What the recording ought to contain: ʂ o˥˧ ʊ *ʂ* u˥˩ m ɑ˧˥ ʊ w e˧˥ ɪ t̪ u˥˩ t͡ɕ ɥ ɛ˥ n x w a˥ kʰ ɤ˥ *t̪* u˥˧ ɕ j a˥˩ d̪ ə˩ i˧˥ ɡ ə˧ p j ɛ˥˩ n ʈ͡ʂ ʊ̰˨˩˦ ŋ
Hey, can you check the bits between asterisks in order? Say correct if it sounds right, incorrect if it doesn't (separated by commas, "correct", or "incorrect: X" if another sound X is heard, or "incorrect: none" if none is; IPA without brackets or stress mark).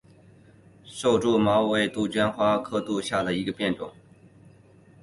incorrect: ʈ͡ʂ, correct